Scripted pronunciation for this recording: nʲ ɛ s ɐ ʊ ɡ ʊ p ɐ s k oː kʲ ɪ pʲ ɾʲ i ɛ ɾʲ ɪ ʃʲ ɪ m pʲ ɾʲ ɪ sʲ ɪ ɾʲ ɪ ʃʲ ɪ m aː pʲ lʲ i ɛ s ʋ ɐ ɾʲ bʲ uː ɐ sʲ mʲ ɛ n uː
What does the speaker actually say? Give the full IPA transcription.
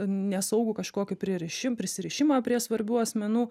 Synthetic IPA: nʲ ɛ s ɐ ʊ ɡ ʊ k ɐ ʃ k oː kʲ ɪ pʲ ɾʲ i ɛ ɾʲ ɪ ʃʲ ɪ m pʲ ɾʲ ɪ sʲ ɪ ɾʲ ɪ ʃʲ ɪ m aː pʲ ɾʲ i ɛ s ʋ ɐ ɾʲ bʲ uː ɐ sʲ mʲ ɛ n uː